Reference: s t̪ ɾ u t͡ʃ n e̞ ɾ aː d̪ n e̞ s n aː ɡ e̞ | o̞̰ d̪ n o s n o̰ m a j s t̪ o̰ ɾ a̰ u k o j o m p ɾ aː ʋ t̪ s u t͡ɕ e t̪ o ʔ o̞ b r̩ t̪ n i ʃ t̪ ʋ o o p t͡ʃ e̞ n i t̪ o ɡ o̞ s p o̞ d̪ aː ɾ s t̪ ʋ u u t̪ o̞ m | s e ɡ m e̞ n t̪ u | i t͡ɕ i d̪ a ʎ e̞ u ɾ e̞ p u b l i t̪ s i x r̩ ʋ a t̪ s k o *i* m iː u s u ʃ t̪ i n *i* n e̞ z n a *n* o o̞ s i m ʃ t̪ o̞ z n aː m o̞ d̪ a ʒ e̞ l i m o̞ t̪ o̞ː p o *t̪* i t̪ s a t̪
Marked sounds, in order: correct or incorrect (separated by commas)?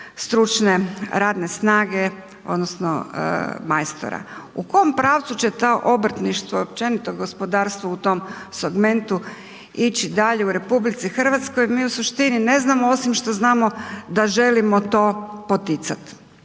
incorrect, correct, incorrect, correct